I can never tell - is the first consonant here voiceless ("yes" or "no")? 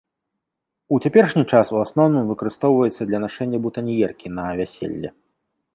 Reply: yes